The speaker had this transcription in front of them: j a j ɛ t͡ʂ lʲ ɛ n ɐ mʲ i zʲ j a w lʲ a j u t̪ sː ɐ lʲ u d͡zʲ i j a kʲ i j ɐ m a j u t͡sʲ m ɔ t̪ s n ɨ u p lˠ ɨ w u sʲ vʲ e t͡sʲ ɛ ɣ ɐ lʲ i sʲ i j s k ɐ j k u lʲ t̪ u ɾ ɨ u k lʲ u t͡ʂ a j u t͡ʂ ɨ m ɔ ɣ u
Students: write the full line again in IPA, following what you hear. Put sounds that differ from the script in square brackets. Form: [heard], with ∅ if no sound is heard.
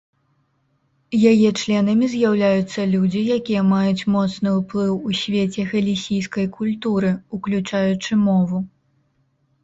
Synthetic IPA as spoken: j a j ɛ t͡ʂ lʲ ɛ n ɐ mʲ i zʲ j a w lʲ a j u t̪ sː ɐ lʲ u d͡zʲ i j a kʲ i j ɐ m a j u t͡sʲ m ɔ t̪ s n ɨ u p lˠ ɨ w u sʲ vʲ e t͡sʲ ɛ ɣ ɐ lʲ i sʲ i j s k ɐ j k u lʲ t̪ u ɾ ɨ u k lʲ u t͡ʂ a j u t͡ʂ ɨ m ɔ [v] u